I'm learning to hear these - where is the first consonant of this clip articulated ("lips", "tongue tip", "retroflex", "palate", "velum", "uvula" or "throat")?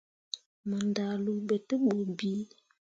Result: lips